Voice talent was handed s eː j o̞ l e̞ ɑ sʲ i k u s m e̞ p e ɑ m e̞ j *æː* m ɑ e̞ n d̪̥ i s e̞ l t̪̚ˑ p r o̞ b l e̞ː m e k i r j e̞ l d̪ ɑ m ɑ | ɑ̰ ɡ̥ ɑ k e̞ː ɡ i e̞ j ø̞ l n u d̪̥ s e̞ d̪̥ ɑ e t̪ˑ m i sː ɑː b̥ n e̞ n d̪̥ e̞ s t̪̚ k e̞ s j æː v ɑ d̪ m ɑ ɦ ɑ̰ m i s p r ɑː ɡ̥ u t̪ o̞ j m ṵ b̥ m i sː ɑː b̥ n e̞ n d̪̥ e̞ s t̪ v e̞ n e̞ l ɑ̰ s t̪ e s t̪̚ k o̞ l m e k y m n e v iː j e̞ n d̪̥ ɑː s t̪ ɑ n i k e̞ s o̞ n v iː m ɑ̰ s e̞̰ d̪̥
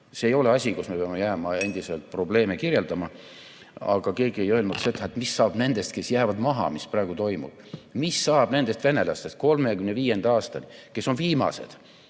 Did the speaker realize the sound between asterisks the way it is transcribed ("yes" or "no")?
yes